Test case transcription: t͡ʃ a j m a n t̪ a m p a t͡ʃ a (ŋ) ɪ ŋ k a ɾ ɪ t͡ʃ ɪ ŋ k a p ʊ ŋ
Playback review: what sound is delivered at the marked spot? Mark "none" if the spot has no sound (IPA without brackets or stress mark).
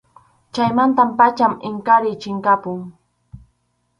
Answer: m